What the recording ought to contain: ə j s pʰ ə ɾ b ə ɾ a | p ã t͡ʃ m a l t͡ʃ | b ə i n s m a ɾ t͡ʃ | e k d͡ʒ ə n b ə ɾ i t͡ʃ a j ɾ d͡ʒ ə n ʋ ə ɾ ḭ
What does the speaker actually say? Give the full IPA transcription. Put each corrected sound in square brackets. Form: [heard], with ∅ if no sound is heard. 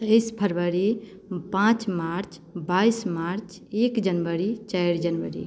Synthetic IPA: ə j s pʰ ə ɾ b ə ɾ [i] | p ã t͡ʃ m a [ɾ] t͡ʃ | b [a] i [∅] s m a ɾ t͡ʃ | e k d͡ʒ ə n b ə ɾ i t͡ʃ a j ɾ d͡ʒ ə n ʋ ə ɾ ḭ